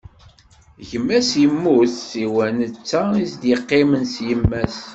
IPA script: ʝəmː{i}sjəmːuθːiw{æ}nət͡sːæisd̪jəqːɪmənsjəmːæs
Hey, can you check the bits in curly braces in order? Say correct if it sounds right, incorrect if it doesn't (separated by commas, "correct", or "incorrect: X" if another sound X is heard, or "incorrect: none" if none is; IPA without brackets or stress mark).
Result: incorrect: æ, correct